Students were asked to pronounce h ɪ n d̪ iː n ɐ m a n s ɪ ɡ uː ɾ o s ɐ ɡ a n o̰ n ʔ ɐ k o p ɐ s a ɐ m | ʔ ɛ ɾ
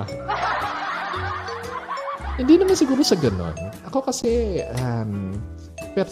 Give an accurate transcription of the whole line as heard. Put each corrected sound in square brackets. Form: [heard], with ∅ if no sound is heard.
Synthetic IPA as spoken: h ɪ n d̪ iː n ɐ m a n s ɪ ɡ uː ɾ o s ɐ ɡ [ɐ] n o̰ n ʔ ɐ k o [k] ɐ s [ɛ] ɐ m | [p] ɛ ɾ